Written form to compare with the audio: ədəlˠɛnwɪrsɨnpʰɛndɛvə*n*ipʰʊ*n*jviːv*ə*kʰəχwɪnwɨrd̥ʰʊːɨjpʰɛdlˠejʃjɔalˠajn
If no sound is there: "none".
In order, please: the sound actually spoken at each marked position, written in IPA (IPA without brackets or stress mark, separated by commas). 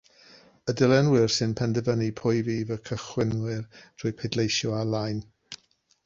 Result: n, none, ə